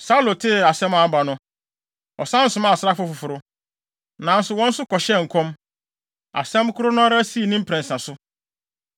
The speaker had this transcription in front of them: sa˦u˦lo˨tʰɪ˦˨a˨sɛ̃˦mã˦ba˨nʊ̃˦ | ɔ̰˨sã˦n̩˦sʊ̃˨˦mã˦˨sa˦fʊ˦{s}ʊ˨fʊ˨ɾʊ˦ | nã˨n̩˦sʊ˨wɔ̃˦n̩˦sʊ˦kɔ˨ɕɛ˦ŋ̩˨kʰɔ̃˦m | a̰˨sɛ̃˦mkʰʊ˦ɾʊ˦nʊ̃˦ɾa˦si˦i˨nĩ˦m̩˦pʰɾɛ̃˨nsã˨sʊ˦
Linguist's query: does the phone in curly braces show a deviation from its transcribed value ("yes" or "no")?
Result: yes